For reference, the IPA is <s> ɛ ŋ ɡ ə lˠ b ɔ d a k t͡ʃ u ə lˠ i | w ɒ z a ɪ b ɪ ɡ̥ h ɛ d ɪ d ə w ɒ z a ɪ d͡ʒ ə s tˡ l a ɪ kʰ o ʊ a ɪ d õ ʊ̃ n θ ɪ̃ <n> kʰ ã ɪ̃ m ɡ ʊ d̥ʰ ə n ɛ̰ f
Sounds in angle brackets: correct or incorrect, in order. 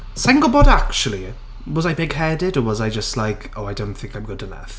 correct, incorrect

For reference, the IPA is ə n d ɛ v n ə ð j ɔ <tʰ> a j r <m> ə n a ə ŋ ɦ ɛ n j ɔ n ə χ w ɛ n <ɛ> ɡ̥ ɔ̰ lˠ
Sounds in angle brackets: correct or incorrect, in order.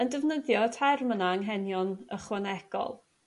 correct, correct, correct

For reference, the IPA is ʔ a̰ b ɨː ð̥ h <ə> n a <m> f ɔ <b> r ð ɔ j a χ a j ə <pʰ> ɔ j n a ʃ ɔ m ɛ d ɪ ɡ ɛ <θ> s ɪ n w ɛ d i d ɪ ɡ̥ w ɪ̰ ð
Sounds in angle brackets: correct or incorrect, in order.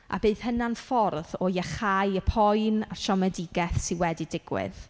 correct, incorrect, incorrect, correct, correct

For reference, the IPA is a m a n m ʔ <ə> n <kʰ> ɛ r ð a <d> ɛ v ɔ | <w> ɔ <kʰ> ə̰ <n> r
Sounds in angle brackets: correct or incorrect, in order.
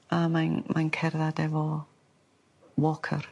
incorrect, correct, correct, correct, correct, incorrect

